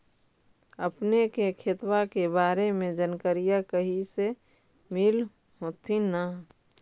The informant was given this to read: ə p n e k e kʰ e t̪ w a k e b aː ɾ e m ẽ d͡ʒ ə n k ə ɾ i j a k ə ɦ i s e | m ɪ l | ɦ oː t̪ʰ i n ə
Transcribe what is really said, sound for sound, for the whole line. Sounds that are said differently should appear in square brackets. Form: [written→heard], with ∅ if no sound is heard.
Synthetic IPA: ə p n e k e kʰ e t̪ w a k e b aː ɾ e m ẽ d͡ʒ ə n k ə ɾ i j a k ə ɦ i s e | m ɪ l | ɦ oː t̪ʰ i n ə